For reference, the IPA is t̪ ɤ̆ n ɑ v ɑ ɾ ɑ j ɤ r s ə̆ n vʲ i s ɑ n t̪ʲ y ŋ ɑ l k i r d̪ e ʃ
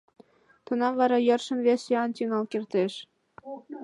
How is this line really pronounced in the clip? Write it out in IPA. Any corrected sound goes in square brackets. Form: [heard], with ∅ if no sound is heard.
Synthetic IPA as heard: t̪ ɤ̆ n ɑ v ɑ ɾ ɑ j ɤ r [ʃ] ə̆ n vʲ [e] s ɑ n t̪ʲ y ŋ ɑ l k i r [t̪] e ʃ

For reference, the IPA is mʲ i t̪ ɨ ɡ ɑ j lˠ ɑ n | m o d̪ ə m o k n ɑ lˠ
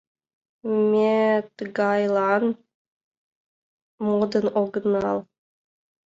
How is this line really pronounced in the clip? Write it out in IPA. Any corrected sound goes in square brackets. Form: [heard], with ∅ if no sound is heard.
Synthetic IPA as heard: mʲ [e] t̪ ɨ ɡ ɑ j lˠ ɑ n | m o d̪ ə [n] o [ɡ] n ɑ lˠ

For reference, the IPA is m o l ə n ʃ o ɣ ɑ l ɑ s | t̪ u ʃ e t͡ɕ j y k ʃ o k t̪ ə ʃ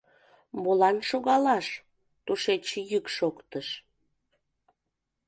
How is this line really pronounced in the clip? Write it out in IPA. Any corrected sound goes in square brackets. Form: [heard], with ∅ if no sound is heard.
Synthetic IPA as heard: m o l [ɑ] n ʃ o ɣ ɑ l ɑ [ʃ] | t̪ u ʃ e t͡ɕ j y k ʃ o k t̪ ə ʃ

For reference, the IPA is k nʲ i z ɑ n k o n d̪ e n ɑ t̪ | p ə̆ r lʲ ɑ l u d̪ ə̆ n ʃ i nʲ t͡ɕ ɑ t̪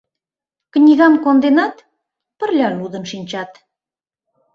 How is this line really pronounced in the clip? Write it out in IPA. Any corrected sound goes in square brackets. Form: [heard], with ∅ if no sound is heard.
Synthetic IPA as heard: k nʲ i [ɣ] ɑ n k o n d̪ e n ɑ t̪ | p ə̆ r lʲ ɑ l u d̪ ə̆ n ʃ i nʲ t͡ɕ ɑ t̪

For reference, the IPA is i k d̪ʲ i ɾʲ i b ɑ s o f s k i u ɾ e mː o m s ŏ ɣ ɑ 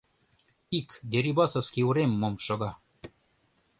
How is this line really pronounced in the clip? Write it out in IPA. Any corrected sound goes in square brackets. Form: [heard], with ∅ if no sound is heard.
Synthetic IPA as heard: i k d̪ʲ [e] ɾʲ i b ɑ s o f s k i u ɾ e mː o m [ʃ] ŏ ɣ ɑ

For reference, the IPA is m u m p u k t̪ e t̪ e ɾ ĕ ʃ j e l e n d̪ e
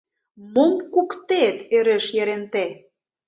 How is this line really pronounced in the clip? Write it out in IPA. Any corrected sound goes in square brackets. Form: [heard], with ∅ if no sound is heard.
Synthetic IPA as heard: m [o] m [k] u k t̪ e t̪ e ɾ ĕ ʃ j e [ɾ] e n [t̪] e

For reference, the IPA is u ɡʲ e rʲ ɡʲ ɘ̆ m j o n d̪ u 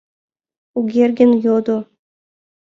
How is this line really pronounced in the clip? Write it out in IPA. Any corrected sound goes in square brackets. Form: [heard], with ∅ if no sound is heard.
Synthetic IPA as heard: u ɡʲ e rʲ ɡʲ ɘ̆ [n] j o [∅] d̪ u

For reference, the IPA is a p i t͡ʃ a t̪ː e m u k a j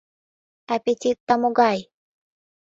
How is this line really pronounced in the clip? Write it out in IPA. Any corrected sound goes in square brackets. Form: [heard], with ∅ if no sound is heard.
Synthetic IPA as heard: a p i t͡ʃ [i] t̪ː [a] m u [ɡ] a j

